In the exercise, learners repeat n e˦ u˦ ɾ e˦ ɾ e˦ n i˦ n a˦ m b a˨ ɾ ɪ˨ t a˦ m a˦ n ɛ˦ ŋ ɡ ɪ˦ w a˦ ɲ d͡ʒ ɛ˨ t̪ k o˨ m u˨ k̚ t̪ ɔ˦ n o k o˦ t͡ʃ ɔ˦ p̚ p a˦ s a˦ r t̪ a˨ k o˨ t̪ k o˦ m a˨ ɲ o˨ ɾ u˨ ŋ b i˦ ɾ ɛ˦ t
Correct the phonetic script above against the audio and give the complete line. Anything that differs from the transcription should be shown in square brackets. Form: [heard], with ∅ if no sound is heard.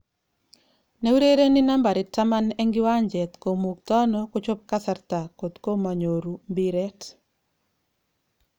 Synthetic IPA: n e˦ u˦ ɾ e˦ ɾ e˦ n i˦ n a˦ m b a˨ ɾ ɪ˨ t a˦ m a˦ n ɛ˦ ŋ ɡ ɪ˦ w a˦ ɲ d͡ʒ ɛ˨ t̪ k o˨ m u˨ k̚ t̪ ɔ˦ n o k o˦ t͡ʃ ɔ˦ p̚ [k] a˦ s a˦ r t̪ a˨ k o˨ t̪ k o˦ m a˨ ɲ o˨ ɾ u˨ [m] b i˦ ɾ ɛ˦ t